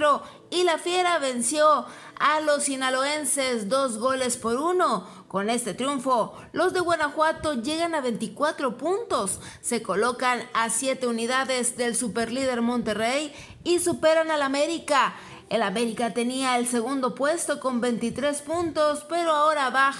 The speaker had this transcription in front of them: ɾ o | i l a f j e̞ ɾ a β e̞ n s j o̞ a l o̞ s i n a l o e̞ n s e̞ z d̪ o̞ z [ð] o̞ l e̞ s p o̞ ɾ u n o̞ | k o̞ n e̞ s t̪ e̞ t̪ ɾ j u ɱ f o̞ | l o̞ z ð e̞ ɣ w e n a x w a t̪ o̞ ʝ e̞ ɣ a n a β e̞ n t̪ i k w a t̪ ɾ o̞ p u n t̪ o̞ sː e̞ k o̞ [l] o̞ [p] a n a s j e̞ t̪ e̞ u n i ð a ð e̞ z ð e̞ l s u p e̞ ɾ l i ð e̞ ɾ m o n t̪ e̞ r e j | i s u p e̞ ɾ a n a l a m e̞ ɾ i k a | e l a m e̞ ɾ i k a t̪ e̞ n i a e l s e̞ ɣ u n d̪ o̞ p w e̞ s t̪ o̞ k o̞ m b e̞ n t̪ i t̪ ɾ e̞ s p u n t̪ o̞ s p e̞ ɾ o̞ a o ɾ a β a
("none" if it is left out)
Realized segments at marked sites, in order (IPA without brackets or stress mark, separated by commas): ɣ, l, k